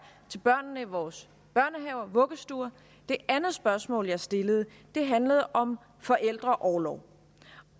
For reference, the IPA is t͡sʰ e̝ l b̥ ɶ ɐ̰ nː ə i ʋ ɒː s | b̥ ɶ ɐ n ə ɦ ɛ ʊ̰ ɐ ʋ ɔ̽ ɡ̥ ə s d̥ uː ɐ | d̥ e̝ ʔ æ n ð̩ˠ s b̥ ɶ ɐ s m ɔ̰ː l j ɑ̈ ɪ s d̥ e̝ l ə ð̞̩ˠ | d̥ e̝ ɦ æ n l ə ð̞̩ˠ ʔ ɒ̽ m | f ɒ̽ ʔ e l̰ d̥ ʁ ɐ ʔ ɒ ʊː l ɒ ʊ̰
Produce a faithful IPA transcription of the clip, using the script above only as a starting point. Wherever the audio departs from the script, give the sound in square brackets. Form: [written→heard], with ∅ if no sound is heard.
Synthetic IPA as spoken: t͡sʰ e̝ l b̥ ɶ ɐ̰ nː ə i ʋ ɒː s | b̥ ɶ ɐ n ə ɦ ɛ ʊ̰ ɐ ʋ ɔ̽ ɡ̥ ə s d̥ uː ɐ | d̥ e̝ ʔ æ n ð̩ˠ s b̥ ɶ ɐ s m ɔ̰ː l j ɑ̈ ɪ s d̥ e̝ l ə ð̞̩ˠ | d̥ e̝ ɦ æ n l ə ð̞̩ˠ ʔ ɒ̽ m | f ɒ̽ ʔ e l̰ d̥ ʁ ɐ ʔ ɒ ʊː l ɒ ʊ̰